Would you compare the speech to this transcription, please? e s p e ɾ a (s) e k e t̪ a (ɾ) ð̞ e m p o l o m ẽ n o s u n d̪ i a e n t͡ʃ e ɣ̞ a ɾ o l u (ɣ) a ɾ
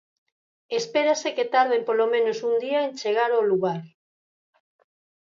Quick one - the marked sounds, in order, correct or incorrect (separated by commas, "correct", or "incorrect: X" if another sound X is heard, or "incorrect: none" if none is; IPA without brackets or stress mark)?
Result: correct, correct, correct